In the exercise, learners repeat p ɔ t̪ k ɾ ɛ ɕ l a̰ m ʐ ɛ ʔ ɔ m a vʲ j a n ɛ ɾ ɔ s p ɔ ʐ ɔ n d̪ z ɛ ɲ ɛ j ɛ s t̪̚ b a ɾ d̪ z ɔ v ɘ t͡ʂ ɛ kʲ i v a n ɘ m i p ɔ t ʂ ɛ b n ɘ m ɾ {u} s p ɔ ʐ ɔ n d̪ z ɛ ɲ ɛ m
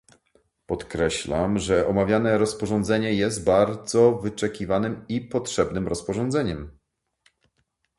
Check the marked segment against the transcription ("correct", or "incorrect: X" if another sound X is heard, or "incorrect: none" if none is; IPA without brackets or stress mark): incorrect: ɔ